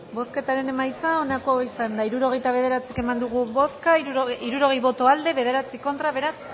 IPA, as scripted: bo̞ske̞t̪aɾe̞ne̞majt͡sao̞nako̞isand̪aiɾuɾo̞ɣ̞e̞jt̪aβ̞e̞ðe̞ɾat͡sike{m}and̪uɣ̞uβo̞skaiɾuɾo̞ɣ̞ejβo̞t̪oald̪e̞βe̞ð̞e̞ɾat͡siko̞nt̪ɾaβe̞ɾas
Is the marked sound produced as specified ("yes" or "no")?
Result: yes